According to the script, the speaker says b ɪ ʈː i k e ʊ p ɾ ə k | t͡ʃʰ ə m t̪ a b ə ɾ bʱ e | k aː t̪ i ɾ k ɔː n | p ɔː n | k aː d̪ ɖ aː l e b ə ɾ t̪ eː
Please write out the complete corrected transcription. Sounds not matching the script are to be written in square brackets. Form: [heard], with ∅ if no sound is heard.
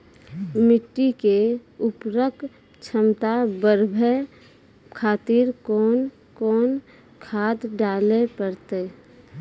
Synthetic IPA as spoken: [m] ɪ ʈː i k e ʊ p ɾ ə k | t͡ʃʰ ə m t̪ a b ə ɾ bʱ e | [kʰ] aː t̪ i ɾ k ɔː n | [k] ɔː n | [kʰ] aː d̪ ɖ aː l e [p] ə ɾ t̪ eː

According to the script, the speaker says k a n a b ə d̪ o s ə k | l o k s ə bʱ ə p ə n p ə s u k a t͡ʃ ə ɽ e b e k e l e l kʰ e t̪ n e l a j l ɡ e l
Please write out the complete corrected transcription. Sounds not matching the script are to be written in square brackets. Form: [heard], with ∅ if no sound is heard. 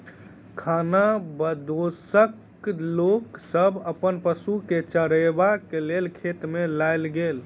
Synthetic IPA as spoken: [kʰ] a n a b ə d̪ o s ə k | l o k s ə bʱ ə p ə n p ə s u k [e] t͡ʃ ə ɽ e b [a] k e l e l kʰ e t̪ [m] e l a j l ɡ e l

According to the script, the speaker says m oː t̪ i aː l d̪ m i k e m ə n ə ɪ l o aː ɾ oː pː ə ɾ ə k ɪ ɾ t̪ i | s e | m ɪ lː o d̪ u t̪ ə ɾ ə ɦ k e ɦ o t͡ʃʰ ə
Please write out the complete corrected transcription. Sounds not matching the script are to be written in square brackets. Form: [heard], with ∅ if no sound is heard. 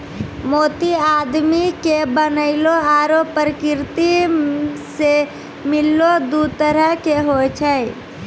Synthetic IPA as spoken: m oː t̪ i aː [∅] d̪ m i k e [b] ə n ə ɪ l o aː ɾ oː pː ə ɾ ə k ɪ ɾ t̪ i | s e | m ɪ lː o d̪ u t̪ ə ɾ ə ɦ k e ɦ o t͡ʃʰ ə

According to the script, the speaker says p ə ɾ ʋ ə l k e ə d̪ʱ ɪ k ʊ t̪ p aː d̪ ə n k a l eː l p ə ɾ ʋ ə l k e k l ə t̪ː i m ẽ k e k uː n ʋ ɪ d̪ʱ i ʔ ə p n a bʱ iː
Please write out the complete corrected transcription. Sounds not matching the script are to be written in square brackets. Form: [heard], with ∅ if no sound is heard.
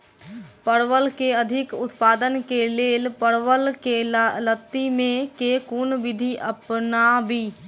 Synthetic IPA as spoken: p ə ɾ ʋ ə l k e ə d̪ʱ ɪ k ʊ t̪ p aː d̪ ə n k [e] l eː l p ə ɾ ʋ ə l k e [∅] l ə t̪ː i m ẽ k e k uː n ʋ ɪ d̪ʱ i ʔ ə p n a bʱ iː

